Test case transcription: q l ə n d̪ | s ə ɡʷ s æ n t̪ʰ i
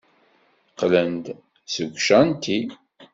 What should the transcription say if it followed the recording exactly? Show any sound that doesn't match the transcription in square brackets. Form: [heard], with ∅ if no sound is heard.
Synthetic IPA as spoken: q l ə n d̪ | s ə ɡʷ [ʃ] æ n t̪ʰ i